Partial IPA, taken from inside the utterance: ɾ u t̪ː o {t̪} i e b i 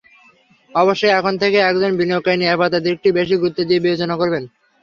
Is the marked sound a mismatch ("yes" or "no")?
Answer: yes